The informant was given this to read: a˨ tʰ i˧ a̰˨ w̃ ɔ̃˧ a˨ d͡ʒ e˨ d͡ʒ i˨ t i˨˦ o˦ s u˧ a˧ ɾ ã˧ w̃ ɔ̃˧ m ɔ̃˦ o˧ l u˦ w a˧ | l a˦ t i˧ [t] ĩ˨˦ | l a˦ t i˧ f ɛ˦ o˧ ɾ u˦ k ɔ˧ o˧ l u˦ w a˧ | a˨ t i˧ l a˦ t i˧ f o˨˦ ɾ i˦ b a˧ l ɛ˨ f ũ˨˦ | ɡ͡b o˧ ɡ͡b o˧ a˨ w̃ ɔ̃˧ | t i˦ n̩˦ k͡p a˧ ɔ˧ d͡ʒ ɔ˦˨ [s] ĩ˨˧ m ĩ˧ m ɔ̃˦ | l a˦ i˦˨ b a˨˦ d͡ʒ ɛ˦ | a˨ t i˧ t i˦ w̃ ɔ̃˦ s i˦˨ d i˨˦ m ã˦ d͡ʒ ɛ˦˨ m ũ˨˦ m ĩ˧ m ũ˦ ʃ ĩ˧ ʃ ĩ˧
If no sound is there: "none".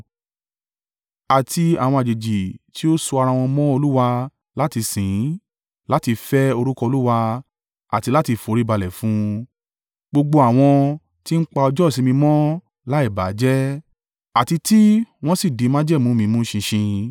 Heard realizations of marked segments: s, s

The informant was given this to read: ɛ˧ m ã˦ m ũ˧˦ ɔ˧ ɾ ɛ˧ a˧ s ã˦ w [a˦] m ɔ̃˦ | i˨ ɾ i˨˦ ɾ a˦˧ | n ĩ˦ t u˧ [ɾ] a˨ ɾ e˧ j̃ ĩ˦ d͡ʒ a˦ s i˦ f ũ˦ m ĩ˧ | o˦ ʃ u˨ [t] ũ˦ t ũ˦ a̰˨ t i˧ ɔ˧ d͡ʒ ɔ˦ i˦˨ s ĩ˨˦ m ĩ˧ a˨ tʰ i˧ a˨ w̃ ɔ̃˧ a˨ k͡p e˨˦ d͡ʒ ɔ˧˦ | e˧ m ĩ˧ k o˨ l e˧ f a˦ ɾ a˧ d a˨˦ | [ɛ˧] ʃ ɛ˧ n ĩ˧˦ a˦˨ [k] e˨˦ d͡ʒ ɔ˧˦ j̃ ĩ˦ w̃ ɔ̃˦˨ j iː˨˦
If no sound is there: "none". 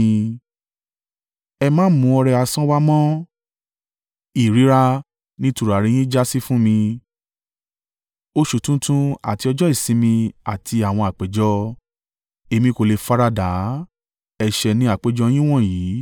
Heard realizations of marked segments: a˦, ɾ, t, ɛ˧, k͡p

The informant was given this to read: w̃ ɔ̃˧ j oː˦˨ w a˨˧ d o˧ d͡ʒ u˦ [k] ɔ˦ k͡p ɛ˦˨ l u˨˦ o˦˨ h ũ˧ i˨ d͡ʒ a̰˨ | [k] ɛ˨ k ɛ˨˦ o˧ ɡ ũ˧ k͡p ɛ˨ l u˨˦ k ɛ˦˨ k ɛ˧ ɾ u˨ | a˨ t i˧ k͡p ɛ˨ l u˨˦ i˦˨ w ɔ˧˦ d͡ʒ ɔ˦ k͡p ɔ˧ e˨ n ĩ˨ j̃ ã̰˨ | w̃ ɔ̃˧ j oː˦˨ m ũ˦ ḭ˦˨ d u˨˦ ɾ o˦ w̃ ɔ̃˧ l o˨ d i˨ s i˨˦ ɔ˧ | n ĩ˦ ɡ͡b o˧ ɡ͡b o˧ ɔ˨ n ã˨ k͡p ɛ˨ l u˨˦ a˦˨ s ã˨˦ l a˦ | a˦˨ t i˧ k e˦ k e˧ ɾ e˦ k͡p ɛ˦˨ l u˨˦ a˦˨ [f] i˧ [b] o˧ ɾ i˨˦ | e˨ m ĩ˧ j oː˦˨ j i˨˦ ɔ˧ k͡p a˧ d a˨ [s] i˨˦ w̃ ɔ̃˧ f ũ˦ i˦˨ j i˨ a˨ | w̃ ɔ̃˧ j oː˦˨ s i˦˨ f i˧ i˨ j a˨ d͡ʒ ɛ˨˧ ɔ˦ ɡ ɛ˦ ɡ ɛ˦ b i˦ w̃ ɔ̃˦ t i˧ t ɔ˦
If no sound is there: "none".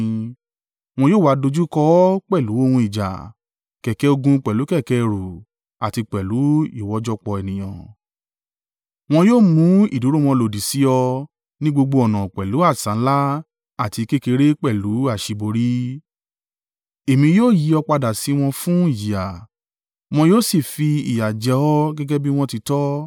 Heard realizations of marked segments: k, k, ʃ, b, s

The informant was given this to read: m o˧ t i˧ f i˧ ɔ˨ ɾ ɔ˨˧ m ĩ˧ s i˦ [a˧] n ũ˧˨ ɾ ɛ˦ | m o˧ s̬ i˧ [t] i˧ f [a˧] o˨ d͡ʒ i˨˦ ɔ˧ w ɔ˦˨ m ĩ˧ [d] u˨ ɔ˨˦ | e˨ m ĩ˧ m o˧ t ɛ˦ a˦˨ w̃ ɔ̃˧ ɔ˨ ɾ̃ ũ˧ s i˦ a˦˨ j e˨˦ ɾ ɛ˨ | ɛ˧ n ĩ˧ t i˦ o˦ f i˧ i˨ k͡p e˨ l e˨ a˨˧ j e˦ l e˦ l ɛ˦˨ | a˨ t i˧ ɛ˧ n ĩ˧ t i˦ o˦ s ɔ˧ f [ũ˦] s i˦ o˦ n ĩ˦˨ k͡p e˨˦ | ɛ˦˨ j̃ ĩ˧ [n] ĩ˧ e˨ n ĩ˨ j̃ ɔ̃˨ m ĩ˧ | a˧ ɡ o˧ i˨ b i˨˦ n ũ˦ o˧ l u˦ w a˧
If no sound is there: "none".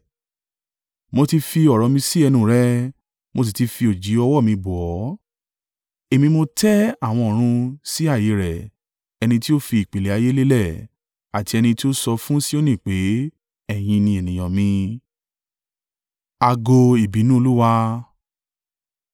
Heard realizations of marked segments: ɛ˧, t, i˧, b, ũ˦, n

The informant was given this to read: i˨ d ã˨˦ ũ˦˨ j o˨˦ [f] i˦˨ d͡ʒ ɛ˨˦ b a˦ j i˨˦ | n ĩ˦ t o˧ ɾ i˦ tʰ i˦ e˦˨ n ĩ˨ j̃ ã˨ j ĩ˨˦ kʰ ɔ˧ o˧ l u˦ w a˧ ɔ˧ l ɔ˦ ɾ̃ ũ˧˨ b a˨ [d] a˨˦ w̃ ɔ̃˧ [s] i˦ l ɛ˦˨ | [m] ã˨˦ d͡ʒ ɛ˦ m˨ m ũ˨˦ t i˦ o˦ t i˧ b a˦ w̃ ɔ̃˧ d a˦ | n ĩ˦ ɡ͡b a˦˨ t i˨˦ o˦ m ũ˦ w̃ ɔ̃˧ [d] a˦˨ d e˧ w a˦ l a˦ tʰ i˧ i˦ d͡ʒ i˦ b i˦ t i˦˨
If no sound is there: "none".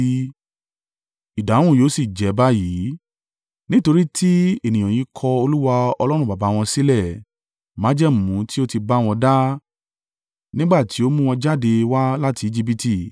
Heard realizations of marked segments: s, b, s, m, d͡ʒ

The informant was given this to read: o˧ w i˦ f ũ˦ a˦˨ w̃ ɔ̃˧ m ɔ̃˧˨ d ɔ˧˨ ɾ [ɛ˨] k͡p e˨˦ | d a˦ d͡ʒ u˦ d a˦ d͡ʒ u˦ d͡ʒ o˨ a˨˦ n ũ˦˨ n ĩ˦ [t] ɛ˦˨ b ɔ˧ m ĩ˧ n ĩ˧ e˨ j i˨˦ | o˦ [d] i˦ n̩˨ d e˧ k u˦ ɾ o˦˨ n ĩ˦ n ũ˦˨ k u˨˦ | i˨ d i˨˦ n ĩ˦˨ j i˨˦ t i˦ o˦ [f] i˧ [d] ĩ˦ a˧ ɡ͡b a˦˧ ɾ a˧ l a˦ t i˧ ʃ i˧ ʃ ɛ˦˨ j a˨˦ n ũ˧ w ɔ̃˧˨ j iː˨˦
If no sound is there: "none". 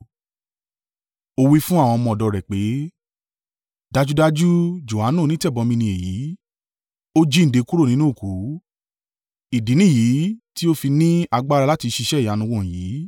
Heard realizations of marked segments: ɛ˨, t, d͡ʒ, f, n

